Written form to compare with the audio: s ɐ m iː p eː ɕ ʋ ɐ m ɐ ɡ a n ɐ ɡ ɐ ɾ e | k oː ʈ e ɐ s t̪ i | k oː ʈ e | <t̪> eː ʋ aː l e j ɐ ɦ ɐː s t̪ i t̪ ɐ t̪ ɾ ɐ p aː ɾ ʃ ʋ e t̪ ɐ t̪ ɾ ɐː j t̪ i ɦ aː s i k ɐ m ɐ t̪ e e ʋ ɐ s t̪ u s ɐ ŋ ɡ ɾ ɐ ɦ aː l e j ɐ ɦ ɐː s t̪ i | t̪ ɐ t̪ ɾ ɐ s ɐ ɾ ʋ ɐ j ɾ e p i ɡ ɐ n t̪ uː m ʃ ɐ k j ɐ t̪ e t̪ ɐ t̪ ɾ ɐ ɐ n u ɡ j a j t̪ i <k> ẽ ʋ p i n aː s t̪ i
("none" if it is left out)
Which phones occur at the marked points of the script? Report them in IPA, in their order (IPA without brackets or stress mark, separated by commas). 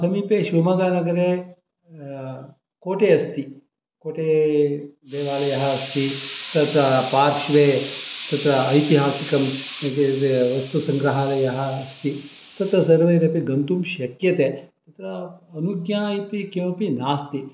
d̪, k